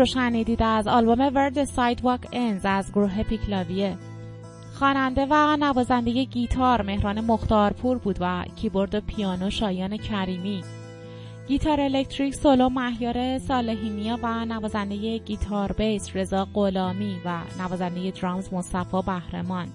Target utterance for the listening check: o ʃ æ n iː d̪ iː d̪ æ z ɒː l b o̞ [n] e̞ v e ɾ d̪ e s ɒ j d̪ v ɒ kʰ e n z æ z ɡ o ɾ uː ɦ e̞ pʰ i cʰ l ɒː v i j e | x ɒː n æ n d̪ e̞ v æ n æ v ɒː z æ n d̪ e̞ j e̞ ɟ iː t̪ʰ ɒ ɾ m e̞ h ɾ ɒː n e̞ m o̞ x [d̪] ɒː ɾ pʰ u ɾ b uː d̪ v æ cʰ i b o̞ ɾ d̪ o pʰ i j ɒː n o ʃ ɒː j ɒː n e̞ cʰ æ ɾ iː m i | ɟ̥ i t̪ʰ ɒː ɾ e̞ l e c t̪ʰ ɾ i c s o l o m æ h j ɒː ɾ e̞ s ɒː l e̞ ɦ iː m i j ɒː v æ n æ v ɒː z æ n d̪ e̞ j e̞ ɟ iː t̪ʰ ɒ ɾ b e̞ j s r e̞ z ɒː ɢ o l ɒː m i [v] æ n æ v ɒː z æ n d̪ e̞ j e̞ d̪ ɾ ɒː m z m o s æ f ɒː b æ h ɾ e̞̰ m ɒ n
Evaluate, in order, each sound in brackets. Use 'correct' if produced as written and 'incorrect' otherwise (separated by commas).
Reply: incorrect, incorrect, correct